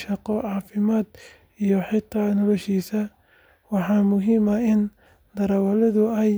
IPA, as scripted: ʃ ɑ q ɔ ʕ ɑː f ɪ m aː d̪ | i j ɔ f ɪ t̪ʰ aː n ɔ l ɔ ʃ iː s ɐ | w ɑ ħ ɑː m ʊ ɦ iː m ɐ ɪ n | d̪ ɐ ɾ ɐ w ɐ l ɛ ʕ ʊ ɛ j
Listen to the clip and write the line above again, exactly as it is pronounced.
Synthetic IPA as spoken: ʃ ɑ q ɔ ʕ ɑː f ɪ m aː d̪ | i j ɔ ħ ɪ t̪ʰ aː n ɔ l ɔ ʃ iː s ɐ | w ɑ ħ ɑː m ʊ ɦ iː m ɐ ɪ n | d̪ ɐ ɾ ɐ w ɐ l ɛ ð ʊ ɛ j